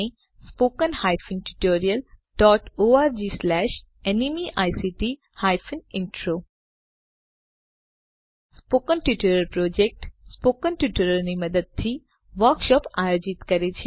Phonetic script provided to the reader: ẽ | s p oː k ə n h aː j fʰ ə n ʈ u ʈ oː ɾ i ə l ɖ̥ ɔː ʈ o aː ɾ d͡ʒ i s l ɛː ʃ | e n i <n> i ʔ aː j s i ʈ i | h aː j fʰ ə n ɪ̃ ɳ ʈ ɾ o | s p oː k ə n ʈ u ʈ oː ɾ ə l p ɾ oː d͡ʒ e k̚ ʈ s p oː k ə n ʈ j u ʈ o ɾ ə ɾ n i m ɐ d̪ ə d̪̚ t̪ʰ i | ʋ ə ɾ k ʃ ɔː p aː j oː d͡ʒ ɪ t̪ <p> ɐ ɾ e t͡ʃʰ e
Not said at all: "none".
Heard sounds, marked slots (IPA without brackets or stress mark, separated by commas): m, k